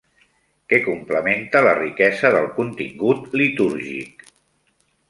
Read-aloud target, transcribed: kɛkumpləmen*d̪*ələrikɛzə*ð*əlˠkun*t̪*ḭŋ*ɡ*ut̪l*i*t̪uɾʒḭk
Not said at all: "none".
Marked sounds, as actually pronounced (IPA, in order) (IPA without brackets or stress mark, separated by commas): t̪, ð, t̪, ɡ, i